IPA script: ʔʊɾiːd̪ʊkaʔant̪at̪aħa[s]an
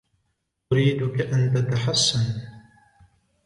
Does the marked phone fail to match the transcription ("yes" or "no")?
yes